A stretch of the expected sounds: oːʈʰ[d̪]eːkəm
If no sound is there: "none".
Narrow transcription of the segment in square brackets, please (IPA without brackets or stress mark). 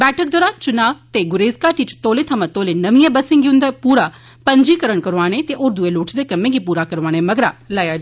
d̪